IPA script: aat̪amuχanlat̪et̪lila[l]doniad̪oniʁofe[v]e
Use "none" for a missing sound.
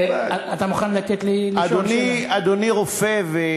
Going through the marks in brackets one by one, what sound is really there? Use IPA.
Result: none, v

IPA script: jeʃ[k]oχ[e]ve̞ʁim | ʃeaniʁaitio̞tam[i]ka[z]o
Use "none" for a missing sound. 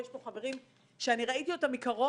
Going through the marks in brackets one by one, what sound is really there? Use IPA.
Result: p, a, i, ʁ

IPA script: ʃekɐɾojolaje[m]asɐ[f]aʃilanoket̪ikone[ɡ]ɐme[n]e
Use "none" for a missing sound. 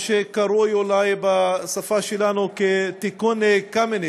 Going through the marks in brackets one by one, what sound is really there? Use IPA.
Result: b, f, k, n

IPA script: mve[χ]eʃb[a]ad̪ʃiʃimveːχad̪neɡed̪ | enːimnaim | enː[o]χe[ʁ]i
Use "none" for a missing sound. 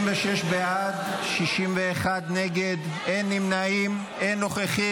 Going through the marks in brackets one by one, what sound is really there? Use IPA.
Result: ʃ, e, o, χ

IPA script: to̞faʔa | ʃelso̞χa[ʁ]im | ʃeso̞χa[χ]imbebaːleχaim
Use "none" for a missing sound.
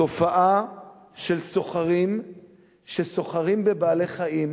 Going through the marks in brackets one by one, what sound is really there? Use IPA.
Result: ʁ, ʁ

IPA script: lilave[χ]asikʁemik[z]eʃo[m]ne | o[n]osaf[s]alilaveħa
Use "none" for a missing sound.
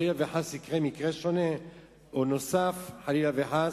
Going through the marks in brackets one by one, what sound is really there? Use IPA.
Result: ħ, ʁ, none, n, ħ

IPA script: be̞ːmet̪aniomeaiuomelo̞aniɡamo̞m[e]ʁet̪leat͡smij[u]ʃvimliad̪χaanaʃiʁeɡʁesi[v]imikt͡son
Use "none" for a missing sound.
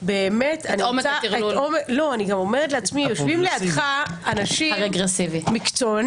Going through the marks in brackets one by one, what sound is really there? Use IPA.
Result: e, o, v

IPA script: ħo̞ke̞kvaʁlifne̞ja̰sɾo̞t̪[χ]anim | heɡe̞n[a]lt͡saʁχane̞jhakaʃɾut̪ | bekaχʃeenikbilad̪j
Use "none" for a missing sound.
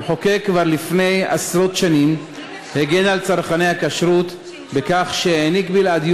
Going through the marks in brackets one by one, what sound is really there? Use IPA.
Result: ʃ, a

